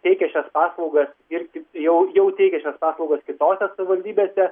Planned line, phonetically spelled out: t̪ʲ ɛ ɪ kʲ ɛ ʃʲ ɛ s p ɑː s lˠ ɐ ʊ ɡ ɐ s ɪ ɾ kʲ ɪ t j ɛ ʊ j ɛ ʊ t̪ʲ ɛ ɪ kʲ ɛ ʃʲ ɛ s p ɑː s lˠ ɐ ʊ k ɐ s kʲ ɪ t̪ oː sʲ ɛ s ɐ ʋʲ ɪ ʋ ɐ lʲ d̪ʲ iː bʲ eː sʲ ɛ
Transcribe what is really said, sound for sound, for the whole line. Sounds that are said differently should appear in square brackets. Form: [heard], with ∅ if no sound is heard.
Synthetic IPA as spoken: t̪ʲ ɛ ɪ kʲ ɛ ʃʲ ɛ s p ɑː s lˠ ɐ ʊ ɡ ɐ s ɪ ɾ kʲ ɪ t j ɛ ʊ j ɛ ʊ t̪ʲ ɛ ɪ kʲ ɛ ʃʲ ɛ s p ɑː s lˠ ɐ ʊ [ɡ] ɐ s kʲ ɪ t̪ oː sʲ ɛ s ɐ ʋʲ ɪ ʋ ɐ lʲ d̪ʲ iː bʲ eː sʲ ɛ